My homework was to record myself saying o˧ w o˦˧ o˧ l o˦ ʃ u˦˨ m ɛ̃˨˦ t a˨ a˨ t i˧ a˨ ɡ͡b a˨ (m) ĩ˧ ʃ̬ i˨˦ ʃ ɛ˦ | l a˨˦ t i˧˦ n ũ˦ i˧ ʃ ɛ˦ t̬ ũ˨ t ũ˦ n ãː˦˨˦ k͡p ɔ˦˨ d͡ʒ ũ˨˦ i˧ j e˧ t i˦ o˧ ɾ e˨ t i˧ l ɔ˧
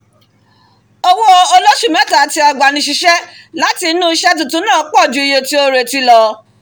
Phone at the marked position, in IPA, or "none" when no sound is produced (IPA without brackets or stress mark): n